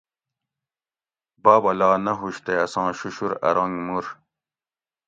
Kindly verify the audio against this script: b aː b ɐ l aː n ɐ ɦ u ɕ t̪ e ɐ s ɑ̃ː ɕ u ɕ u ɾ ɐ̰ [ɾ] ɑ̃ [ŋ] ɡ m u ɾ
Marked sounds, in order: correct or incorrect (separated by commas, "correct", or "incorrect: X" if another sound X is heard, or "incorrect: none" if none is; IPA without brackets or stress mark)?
correct, correct